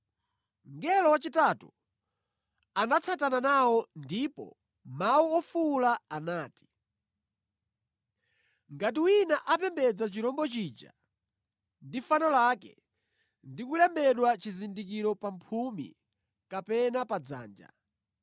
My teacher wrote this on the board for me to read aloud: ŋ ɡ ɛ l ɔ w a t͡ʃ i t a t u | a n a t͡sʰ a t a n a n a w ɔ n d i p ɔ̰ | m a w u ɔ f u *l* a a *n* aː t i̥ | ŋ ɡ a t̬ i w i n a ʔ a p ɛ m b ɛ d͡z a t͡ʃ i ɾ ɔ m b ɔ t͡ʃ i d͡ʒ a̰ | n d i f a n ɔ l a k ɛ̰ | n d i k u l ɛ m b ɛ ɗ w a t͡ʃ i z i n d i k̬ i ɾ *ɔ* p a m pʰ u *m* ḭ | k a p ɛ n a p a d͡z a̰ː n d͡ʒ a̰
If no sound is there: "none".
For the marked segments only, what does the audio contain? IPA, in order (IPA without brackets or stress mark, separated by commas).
l, n, ɔ, m